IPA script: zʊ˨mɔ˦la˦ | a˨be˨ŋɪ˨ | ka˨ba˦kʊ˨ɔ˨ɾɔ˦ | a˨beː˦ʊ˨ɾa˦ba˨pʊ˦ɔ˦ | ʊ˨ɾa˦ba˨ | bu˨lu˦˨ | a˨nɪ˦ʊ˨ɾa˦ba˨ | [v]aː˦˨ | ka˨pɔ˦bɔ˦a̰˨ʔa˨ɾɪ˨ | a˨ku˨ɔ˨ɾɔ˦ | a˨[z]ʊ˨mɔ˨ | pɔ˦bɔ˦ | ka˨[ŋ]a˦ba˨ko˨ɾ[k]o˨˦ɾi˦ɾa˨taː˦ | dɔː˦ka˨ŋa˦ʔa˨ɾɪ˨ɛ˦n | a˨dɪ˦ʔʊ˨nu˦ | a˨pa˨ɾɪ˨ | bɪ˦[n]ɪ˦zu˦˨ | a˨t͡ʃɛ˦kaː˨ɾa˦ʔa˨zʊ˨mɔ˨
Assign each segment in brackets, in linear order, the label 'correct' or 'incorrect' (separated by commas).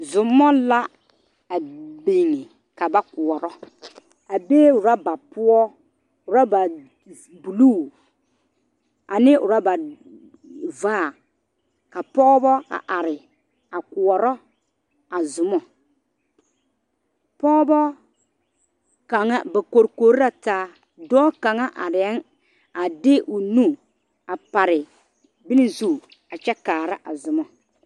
correct, correct, correct, correct, correct